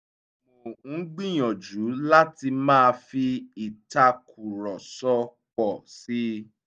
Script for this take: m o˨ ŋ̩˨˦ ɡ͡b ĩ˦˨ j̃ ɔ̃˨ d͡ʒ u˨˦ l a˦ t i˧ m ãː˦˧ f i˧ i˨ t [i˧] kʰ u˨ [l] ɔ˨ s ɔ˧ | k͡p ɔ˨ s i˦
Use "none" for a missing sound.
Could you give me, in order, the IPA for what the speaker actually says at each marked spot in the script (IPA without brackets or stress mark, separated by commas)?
a˧, ɾ